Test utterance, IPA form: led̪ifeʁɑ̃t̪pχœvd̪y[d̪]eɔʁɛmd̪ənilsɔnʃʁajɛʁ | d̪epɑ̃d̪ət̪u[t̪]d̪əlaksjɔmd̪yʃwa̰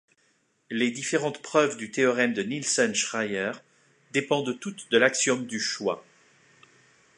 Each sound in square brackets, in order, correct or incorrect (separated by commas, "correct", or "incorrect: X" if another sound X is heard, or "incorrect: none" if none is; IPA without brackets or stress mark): incorrect: t̪, correct